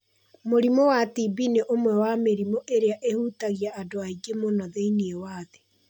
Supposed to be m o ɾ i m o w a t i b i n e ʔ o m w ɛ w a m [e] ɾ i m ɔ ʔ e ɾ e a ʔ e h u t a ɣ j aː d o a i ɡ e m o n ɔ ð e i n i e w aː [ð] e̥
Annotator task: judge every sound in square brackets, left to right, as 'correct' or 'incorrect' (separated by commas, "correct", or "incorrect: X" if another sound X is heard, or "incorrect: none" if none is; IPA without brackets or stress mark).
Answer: correct, correct